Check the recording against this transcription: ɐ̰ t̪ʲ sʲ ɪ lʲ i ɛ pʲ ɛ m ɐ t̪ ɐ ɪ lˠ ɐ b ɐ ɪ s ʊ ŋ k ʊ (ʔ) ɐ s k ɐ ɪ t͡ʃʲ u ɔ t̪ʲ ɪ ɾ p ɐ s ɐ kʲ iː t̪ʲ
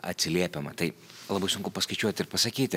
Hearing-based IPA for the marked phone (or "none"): p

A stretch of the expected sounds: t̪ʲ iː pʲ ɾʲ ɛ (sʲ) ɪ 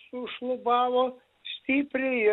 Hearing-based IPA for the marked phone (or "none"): none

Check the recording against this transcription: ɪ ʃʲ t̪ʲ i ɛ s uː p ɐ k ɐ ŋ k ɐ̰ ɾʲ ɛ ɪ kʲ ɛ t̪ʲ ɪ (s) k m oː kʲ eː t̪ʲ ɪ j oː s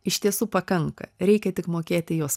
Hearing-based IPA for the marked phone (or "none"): none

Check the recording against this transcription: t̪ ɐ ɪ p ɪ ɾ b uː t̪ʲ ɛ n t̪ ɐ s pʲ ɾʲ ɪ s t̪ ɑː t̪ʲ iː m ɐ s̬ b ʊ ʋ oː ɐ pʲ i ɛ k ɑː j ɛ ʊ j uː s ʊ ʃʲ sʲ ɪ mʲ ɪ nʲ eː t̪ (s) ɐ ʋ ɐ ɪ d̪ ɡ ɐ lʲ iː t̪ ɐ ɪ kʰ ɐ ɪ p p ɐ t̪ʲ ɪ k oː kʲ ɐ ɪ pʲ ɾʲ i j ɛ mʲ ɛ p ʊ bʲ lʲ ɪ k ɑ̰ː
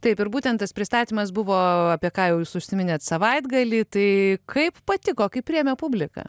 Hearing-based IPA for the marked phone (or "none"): s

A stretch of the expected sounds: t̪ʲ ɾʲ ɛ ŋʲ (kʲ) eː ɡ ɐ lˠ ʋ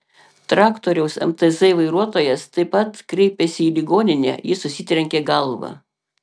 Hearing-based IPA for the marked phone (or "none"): kʲ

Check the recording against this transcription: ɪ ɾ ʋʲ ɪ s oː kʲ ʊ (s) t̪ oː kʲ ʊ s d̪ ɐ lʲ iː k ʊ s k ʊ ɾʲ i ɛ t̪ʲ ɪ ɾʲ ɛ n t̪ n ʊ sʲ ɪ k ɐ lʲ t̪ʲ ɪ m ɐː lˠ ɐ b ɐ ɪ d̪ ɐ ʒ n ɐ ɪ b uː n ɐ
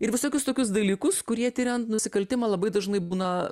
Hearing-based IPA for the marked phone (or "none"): s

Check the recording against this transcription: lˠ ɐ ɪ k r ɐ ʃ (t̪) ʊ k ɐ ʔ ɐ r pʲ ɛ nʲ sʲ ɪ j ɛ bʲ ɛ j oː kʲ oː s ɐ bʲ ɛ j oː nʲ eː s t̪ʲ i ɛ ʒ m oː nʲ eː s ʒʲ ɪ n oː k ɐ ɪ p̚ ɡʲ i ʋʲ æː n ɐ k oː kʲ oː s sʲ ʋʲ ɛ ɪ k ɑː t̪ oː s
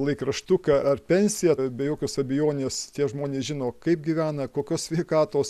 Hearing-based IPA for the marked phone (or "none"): t̪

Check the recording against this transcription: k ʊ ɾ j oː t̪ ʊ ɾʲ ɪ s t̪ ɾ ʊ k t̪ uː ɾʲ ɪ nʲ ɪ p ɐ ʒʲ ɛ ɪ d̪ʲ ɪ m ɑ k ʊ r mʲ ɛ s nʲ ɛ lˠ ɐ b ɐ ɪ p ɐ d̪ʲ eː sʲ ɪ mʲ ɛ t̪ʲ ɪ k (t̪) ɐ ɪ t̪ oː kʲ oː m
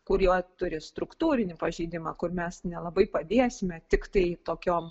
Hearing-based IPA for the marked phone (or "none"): t̪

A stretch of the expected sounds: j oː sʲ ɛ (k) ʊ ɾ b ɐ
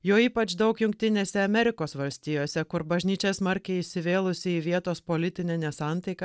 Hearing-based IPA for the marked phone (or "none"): k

